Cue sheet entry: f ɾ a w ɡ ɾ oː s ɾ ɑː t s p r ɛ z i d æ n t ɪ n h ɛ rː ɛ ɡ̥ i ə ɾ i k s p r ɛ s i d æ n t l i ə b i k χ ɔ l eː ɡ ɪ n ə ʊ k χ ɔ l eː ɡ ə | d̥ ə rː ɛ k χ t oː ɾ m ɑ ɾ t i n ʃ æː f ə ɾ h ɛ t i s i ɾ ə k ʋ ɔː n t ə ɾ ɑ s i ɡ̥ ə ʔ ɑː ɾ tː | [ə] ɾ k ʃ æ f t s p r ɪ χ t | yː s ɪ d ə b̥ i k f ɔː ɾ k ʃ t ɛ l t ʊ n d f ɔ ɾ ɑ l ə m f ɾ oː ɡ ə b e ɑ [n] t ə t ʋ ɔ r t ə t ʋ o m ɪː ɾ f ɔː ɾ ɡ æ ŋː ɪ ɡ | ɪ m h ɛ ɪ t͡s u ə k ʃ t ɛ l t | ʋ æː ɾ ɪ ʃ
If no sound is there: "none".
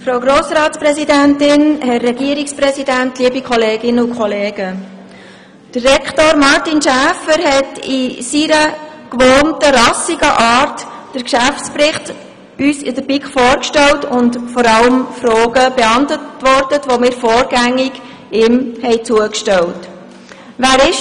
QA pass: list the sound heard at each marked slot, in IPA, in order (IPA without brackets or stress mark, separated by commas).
ə, n